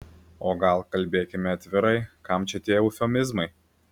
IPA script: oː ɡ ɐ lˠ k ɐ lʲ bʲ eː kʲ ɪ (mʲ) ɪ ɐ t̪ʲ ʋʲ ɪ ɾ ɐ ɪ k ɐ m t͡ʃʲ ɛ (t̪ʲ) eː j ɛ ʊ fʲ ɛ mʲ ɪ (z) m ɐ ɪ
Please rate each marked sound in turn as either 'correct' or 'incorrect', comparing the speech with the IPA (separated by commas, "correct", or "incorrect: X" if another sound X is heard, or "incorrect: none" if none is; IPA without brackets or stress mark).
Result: correct, correct, correct